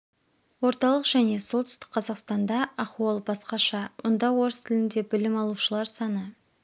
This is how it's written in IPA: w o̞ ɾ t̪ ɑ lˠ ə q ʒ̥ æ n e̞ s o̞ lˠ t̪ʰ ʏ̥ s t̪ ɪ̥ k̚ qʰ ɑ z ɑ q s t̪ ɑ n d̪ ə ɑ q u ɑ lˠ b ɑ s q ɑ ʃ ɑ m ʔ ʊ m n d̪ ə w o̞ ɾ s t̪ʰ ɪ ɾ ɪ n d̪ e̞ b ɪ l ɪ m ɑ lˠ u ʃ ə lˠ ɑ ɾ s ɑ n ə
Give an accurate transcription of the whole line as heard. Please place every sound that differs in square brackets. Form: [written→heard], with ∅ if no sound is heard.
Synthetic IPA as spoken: w o̞ ɾ t̪ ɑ lˠ ə q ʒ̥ æ n e̞ s o̞ lˠ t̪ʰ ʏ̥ s t̪ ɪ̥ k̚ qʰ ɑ z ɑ q s t̪ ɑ n d̪ [ə→ɑ] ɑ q u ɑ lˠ b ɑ s q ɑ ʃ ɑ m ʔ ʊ [m→∅] n d̪ [ə→ɑ] w o̞ ɾ s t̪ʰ ɪ [ɾ→l] ɪ n d̪ e̞ b ɪ l ɪ m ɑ lˠ u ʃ ə lˠ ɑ ɾ s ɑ n ə

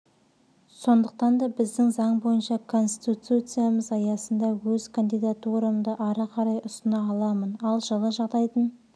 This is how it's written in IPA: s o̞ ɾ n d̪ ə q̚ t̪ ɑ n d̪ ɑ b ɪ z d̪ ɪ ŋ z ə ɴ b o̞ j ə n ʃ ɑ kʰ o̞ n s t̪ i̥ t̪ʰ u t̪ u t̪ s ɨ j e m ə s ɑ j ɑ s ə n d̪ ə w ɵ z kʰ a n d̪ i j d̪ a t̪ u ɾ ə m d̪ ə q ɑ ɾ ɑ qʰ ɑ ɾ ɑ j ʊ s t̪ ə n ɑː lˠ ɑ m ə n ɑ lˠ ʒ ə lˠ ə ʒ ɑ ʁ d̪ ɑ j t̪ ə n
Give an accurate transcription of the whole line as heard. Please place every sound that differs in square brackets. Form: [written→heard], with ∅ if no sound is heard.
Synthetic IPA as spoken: s o̞ [ɾ→∅] n d̪ ə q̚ t̪ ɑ n d̪ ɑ b ɪ z d̪ ɪ ŋ z [ə→ɑ] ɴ b o̞ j ə n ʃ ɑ kʰ o̞ n s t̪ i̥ [t̪ʰ→t̪] u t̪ u t̪ s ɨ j [e→a] m ə [s→z] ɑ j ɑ s ə n d̪ [ə→ɑ] w ɵ z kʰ a n d̪ i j d̪ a t̪ u ɾ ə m d̪ ə [q→ʔ] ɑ ɾ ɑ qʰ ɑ ɾ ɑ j ʊ s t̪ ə n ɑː lˠ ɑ m ə n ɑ lˠ ʒ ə lˠ ə ʒ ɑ ʁ d̪ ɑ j t̪ ə n

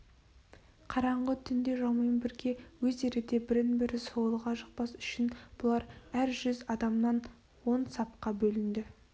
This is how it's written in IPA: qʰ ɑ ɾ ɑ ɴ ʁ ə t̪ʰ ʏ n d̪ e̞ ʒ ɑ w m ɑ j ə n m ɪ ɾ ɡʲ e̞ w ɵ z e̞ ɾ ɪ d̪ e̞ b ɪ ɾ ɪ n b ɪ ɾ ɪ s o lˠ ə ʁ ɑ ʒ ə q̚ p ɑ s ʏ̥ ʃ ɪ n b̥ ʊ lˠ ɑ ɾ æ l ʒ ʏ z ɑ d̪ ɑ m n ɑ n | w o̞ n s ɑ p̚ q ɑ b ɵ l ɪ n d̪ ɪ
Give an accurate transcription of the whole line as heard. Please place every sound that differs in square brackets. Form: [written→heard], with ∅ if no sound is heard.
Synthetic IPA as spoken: qʰ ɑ ɾ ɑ ɴ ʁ ə t̪ʰ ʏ n d̪ e̞ ʒ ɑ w m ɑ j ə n [m→b] ɪ ɾ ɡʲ e̞ w ɵ z e̞ ɾ ɪ d̪ e̞ b ɪ ɾ ɪ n b ɪ ɾ ɪ s o lˠ ə ʁ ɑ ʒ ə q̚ p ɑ s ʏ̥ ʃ ɪ n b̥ ʊ lˠ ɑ ɾ æ [l→ɾ] ʒ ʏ z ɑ d̪ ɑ m n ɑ n | w o̞ n s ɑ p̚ q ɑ b ɵ l ɪ n d̪ ɪ

